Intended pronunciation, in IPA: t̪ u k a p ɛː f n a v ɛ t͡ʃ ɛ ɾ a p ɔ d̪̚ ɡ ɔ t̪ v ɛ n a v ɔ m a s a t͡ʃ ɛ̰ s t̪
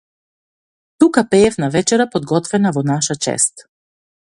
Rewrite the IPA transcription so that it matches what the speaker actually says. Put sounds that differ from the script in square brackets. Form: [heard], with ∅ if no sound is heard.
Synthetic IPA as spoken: t̪ u k a p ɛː f n a v ɛ t͡ʃ ɛ ɾ a p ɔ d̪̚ ɡ ɔ t̪ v ɛ n a v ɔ [n] a [ʃ] a t͡ʃ ɛ̰ s t̪